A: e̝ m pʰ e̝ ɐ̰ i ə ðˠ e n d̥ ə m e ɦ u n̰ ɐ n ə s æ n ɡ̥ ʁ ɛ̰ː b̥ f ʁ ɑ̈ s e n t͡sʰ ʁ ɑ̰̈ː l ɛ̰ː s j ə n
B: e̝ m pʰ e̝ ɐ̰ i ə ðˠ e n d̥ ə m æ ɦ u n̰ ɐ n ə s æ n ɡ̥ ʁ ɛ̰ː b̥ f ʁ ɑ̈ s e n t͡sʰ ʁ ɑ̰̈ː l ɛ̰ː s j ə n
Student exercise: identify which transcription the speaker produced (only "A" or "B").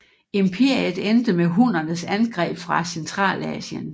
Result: A